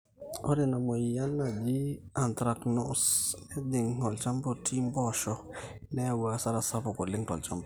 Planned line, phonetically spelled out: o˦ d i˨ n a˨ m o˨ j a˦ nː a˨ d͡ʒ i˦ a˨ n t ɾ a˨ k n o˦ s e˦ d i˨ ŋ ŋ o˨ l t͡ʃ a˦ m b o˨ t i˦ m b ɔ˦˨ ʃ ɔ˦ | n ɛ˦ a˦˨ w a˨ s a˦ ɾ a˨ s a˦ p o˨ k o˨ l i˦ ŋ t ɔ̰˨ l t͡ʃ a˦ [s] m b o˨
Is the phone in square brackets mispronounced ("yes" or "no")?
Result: yes